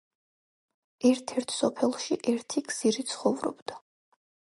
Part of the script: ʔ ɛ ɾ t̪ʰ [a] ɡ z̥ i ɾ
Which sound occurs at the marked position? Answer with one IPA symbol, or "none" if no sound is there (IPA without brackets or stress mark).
i